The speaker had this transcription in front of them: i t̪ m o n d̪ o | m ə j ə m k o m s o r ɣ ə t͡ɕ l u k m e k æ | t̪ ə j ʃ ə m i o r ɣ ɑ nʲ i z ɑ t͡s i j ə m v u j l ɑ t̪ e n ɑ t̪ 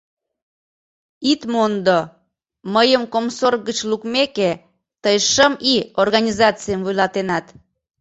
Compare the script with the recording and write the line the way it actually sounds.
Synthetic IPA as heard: i t̪ m o n d̪ o | m ə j ə m k o m s o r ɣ ə t͡ɕ l u k m e k e | t̪ ə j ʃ ə m i o r ɣ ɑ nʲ i z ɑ t͡s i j ə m v u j l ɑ t̪ e n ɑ t̪